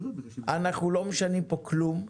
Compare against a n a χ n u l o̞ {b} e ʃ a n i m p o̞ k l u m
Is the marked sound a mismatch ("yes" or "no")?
yes